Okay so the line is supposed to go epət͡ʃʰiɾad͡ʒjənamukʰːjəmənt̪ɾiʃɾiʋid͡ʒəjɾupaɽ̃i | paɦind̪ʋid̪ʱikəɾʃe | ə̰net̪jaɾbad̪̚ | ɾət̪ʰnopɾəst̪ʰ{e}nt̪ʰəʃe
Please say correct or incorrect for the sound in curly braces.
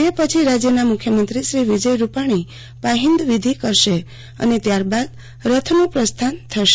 incorrect